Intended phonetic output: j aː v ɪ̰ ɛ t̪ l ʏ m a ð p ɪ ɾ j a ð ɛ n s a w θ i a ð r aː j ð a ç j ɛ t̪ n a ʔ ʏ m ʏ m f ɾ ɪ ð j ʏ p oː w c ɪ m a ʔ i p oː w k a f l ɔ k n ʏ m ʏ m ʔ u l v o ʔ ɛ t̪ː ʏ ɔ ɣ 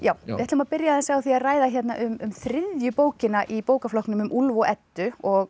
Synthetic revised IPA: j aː w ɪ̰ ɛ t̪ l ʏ m a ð p ɪ ɾ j a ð ɛ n s a w θ i a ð r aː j ð a ç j ɛ t̪ n a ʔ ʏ m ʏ m θ ɾ ɪ ð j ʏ p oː w c ɪ n a ʔ i p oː w k a f l ɔ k n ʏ m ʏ m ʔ u l v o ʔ ɛ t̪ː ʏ ɔ ɣ